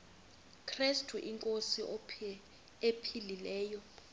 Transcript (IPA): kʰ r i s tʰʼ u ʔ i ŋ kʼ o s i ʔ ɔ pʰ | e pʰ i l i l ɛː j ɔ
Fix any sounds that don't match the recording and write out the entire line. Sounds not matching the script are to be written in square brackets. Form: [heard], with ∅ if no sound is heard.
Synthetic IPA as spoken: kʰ r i s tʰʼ u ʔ i ŋ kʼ o s i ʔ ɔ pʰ | e pʰ i l i l ɛː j ɔ